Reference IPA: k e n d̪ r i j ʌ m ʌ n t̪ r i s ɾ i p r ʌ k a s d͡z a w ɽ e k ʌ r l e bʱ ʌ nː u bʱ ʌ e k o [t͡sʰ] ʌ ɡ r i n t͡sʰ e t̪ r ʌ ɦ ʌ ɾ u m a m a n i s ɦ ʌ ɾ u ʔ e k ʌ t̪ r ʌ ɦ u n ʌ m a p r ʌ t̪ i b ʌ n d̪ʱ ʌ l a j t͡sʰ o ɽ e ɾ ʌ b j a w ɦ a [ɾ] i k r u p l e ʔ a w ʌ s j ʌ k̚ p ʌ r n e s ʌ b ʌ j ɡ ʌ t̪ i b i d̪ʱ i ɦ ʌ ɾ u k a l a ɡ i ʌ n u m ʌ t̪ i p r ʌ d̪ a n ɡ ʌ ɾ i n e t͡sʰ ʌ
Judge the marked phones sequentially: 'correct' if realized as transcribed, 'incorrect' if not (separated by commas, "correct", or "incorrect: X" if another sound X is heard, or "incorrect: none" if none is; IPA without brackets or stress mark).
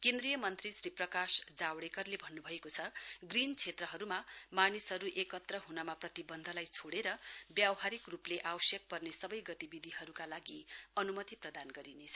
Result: correct, correct